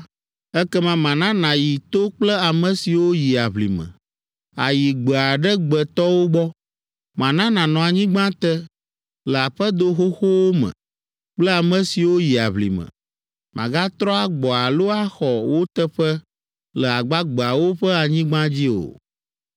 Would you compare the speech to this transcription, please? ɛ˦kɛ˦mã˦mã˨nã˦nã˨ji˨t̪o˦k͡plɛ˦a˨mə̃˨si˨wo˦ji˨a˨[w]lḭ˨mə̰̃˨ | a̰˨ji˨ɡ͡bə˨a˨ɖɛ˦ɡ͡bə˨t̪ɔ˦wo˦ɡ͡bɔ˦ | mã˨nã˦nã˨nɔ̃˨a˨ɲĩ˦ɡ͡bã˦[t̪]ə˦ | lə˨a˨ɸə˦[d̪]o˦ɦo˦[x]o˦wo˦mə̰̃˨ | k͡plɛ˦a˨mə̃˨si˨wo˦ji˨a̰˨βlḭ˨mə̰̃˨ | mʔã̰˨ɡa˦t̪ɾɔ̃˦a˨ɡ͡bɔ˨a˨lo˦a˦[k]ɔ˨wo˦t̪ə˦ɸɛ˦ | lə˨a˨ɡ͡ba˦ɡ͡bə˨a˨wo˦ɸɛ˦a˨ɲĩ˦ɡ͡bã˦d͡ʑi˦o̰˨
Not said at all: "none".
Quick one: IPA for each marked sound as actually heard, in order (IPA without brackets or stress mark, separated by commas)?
β, t̪, d̪, x, x